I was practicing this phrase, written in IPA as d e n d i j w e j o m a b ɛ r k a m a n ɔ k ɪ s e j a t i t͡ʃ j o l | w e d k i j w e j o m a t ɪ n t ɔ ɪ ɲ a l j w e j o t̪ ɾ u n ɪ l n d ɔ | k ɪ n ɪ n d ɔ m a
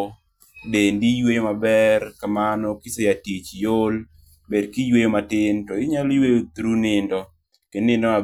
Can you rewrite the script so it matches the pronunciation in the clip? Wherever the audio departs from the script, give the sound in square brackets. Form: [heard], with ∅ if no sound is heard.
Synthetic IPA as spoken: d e n d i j w e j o m a b ɛ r k a m a n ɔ k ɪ s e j a t i t͡ʃ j o l | [b] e d k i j w e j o m a t ɪ n t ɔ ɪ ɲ a l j w e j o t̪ ɾ u n ɪ [∅] n d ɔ | k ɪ n ɪ n d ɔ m a